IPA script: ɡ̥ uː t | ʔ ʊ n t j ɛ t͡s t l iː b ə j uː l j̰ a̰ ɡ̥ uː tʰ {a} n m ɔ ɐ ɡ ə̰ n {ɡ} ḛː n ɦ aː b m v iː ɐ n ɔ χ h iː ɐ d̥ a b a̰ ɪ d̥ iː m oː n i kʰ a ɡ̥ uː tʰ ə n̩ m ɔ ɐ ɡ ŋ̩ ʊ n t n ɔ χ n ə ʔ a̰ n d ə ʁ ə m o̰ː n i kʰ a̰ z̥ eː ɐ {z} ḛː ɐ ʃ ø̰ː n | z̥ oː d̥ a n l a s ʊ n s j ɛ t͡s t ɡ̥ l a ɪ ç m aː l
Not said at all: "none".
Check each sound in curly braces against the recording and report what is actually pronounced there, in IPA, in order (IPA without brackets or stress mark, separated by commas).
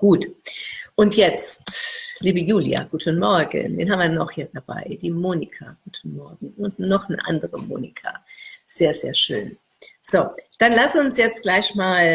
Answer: ə, d, z